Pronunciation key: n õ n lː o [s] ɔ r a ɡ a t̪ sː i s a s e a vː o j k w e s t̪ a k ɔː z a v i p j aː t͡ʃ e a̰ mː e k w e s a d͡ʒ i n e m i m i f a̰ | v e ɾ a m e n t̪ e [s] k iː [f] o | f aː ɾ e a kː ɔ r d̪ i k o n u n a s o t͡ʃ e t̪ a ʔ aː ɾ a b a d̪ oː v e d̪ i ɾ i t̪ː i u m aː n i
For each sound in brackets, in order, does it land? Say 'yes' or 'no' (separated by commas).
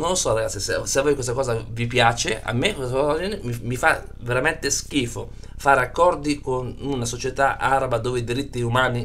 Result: yes, yes, yes